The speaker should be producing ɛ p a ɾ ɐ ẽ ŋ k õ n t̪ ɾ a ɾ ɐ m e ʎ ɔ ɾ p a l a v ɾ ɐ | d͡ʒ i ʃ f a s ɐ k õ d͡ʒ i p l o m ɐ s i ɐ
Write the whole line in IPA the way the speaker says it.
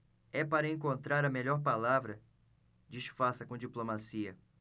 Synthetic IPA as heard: ɛ p a ɾ ɐ ẽ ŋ k õ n t̪ ɾ a ɾ ɐ m e ʎ ɔ ɾ p a l a v ɾ ɐ | d͡ʒ i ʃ f a s ɐ k õ d͡ʒ i p l o m a s i ɐ